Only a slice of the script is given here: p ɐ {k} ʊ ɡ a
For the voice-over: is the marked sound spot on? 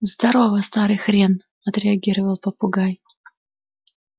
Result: no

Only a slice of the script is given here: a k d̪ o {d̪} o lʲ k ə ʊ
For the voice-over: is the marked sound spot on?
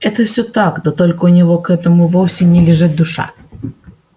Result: no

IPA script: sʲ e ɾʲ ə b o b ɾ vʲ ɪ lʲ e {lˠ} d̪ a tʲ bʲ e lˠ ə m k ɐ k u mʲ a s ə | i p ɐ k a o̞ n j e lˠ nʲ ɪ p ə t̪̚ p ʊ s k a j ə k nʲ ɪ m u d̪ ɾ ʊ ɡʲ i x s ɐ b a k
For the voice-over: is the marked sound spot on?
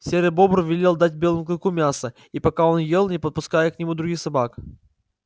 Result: yes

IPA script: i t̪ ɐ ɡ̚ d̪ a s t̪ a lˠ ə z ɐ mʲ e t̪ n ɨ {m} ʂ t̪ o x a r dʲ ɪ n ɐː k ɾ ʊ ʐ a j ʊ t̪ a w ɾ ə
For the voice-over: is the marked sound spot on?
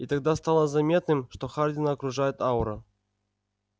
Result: yes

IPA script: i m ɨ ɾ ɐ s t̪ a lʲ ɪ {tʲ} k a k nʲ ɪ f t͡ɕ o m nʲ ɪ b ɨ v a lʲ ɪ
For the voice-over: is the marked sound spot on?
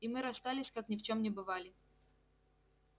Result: no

